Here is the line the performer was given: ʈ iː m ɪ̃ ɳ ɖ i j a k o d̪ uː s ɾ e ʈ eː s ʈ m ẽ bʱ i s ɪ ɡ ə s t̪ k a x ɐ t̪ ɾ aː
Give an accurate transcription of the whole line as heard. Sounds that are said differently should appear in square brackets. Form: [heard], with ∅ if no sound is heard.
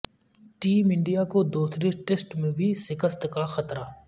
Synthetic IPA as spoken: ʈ iː m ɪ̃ ɳ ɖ i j a k o d̪ uː s ɾ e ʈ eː s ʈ m ẽ bʱ i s ɪ [k] ə s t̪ k a x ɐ t̪ ɾ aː